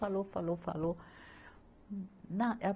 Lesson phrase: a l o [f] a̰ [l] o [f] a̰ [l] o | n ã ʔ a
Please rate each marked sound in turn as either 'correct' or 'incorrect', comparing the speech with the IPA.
correct, correct, correct, correct

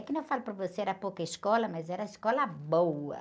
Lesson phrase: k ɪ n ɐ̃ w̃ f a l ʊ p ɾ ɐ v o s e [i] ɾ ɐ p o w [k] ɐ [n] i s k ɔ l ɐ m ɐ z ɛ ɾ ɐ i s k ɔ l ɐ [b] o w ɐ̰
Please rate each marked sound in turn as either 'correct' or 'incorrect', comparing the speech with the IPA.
incorrect, correct, incorrect, correct

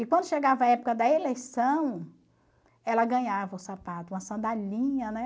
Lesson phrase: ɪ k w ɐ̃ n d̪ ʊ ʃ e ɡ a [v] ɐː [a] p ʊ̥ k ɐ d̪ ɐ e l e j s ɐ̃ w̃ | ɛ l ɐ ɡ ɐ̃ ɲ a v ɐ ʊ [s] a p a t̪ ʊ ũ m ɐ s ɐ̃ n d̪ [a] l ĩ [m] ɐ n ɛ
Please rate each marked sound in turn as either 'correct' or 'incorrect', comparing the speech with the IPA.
correct, incorrect, correct, correct, incorrect

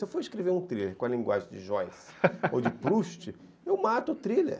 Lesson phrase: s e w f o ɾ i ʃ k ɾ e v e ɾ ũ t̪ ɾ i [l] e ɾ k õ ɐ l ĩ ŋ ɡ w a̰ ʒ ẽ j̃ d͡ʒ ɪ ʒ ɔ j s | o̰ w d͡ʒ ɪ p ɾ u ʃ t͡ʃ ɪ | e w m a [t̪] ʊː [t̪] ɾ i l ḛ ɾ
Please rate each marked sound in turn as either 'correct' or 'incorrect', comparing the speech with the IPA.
correct, correct, correct

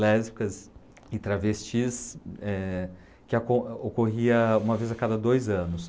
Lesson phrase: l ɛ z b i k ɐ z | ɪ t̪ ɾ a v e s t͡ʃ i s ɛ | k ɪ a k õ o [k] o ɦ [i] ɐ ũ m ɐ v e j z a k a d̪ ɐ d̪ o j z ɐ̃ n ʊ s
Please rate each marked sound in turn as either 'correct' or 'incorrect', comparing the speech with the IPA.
correct, correct

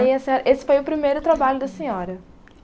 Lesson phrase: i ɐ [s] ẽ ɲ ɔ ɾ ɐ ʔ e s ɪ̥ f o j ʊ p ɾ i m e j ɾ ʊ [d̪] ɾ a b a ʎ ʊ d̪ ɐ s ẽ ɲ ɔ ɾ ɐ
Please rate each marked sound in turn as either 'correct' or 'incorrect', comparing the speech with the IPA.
correct, incorrect

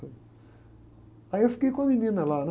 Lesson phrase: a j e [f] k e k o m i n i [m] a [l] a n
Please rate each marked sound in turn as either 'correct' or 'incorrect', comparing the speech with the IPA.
correct, incorrect, correct

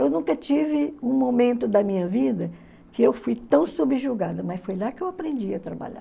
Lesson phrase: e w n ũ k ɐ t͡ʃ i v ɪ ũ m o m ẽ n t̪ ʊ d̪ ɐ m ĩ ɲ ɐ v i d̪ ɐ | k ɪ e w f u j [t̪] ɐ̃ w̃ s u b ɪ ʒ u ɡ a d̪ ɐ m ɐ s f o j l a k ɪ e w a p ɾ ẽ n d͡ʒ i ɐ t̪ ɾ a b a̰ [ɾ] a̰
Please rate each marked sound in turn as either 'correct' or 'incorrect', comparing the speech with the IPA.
correct, incorrect

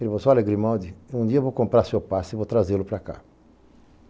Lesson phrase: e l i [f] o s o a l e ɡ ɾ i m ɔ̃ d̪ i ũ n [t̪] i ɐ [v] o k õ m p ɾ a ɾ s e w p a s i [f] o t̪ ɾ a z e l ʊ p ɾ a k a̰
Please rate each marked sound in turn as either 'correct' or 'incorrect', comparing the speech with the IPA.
incorrect, incorrect, correct, incorrect

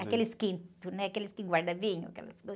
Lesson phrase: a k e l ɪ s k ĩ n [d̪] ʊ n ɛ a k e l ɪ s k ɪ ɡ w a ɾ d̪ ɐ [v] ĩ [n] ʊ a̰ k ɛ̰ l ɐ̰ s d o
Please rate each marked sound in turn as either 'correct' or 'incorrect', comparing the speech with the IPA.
incorrect, correct, incorrect

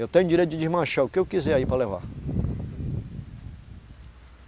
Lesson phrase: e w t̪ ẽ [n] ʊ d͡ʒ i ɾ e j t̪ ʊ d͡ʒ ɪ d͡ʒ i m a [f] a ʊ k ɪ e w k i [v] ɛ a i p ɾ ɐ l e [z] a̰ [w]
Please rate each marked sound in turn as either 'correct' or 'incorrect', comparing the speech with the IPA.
incorrect, incorrect, incorrect, incorrect, incorrect

